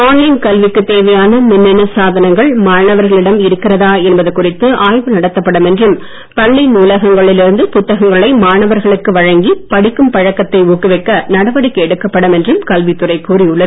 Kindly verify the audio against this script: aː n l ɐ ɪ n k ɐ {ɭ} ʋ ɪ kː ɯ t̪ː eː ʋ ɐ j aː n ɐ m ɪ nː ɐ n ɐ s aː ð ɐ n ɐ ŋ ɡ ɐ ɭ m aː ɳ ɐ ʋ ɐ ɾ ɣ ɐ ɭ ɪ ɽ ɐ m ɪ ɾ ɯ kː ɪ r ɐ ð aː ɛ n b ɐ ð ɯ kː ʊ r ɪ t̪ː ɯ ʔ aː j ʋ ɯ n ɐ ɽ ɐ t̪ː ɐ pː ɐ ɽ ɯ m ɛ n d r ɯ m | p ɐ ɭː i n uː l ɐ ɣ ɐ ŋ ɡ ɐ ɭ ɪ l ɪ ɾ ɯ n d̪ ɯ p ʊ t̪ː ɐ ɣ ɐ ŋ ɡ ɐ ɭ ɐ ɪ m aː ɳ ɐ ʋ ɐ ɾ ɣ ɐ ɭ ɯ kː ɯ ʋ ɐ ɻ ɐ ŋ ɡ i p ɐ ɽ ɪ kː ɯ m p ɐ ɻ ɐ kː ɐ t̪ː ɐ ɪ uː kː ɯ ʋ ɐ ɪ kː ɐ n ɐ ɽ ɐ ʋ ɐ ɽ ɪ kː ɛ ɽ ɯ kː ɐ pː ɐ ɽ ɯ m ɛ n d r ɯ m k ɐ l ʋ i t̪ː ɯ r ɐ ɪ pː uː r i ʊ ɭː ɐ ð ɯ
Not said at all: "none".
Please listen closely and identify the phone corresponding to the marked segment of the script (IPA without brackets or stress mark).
l